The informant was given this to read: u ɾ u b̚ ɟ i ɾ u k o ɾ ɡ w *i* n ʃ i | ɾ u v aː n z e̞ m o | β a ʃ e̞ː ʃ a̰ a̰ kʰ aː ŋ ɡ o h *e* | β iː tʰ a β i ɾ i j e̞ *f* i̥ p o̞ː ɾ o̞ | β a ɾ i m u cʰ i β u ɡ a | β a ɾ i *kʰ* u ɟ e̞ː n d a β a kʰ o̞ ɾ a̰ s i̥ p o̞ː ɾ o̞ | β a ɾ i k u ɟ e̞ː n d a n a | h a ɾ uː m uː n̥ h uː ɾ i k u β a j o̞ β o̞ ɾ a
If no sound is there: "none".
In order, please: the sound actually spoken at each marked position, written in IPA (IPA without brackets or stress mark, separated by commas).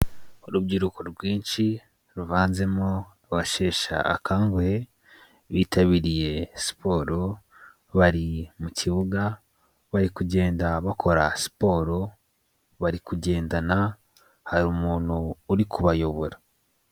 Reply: iː, e, s, k